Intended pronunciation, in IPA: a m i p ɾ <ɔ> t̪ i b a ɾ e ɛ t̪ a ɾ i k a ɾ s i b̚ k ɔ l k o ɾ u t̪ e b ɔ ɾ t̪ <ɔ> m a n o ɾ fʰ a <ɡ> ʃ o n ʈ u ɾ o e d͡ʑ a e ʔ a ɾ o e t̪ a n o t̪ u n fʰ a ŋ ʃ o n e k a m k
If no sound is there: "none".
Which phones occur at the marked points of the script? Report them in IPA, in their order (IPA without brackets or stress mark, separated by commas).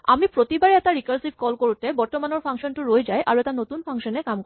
o, o, ŋ